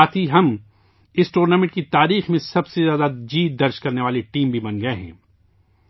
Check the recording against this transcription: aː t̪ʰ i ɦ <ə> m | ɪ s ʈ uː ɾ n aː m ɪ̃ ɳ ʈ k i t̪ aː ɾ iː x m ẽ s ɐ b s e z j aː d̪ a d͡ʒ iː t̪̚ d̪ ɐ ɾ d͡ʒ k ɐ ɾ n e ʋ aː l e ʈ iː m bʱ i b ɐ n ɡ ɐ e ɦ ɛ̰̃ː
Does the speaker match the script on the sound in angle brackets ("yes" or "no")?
no